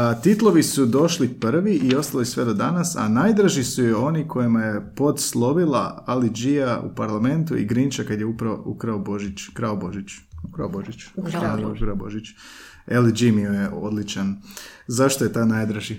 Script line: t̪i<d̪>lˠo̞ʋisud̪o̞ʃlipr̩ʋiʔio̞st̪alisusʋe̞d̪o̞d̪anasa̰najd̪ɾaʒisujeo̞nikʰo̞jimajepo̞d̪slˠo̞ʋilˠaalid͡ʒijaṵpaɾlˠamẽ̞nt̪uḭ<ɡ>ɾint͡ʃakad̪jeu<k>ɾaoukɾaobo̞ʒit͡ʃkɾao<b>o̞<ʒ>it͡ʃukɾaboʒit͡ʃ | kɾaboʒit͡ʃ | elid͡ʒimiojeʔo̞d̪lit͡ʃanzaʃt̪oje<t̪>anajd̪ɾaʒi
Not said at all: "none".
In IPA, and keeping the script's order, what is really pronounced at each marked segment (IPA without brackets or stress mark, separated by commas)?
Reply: t̪, ɡ, p, b, ʒ, t̪